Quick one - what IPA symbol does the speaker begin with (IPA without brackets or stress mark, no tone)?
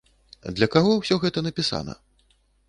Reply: d̪